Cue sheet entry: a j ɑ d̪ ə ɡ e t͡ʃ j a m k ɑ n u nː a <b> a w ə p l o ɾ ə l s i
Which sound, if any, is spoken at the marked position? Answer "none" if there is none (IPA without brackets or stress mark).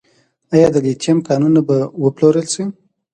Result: b